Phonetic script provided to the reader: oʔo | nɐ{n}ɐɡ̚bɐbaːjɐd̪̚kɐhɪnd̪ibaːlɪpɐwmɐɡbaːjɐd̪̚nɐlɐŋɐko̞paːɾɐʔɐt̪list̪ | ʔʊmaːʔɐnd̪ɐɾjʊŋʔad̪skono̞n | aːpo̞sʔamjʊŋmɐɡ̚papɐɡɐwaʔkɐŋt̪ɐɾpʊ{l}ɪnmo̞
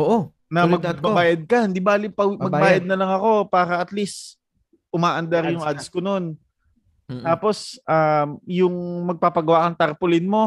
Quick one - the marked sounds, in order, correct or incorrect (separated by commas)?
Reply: incorrect, correct